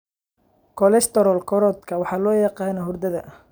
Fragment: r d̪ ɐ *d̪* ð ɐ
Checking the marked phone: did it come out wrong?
yes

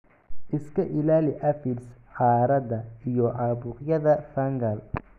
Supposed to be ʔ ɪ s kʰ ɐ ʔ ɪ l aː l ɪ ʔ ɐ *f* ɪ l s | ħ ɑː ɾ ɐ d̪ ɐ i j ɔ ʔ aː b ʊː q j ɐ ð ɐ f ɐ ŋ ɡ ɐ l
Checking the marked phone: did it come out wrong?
no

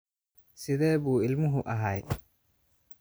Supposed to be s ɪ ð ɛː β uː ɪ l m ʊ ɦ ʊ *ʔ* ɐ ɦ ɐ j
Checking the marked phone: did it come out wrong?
no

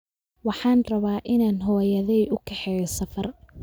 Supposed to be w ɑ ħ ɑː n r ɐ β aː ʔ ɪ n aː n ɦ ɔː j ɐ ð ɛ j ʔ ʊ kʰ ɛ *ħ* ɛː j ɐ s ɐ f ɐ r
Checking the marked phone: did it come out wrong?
no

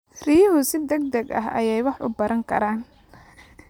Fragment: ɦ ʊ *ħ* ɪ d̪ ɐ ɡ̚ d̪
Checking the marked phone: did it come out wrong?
yes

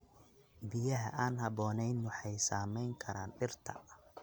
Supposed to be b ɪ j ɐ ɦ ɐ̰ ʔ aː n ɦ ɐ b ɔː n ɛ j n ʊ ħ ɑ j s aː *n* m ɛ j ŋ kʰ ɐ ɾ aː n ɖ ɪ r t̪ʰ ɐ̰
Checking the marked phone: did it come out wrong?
yes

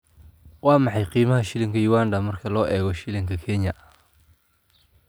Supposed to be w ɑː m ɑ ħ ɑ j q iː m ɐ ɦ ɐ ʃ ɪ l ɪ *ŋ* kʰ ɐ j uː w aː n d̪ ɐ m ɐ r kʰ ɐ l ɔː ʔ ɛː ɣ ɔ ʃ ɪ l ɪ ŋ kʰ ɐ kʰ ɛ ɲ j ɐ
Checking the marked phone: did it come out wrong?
no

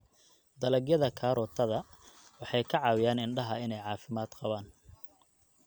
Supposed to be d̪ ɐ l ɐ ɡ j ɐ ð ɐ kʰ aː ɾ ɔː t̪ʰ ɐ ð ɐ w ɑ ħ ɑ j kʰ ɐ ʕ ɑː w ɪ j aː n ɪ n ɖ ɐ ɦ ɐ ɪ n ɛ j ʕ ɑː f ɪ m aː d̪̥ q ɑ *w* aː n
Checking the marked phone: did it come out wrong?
yes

